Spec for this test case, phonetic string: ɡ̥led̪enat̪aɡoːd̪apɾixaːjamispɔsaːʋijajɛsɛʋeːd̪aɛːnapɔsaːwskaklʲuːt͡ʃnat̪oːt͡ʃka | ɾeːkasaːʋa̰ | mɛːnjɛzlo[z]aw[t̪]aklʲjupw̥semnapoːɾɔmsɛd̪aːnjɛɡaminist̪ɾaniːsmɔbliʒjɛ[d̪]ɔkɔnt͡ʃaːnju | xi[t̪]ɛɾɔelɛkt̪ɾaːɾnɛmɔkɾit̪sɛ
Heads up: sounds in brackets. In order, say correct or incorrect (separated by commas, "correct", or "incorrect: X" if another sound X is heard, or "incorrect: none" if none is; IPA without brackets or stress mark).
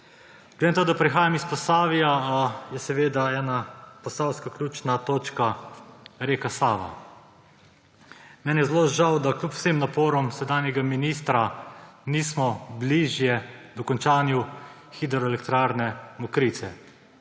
incorrect: ʒ, incorrect: d̪, correct, incorrect: d̪